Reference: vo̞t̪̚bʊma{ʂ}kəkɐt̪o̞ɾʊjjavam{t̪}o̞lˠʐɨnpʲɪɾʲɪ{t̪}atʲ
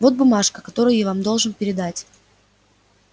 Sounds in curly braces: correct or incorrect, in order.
correct, incorrect, incorrect

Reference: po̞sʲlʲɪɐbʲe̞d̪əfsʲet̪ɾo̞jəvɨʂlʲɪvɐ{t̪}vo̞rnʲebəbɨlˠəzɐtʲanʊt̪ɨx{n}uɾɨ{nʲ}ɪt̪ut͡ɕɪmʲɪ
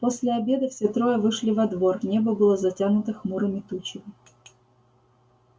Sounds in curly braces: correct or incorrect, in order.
incorrect, incorrect, incorrect

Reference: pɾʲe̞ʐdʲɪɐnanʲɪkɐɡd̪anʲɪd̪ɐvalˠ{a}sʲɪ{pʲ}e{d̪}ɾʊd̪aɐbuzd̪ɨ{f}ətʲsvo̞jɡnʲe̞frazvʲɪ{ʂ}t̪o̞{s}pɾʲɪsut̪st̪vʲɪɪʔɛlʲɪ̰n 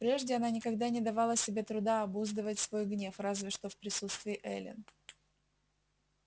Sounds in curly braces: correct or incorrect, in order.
incorrect, incorrect, incorrect, incorrect, correct, incorrect

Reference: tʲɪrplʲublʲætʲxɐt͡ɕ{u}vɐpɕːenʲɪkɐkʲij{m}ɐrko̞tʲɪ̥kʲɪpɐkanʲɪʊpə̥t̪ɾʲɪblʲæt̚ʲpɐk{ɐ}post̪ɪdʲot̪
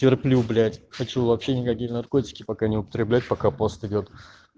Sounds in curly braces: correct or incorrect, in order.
correct, incorrect, incorrect

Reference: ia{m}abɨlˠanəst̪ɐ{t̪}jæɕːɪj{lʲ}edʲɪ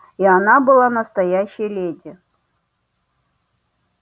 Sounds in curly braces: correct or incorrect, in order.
incorrect, incorrect, correct

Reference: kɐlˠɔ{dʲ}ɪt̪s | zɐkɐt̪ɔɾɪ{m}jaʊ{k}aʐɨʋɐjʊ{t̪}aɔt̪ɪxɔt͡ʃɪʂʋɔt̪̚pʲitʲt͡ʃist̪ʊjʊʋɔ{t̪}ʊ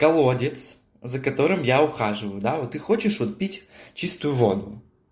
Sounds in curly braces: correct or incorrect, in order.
correct, correct, incorrect, incorrect, incorrect

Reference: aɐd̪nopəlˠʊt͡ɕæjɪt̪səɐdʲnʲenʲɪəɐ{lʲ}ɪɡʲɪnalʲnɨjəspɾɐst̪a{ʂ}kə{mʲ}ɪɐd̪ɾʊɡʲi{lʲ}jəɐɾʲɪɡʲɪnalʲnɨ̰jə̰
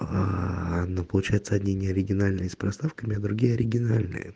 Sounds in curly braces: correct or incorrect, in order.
incorrect, incorrect, correct, incorrect

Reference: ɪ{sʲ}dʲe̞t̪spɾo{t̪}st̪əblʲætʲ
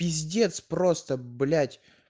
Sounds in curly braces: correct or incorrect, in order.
incorrect, incorrect

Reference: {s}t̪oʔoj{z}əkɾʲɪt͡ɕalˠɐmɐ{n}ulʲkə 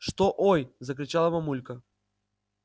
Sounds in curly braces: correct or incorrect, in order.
incorrect, correct, incorrect

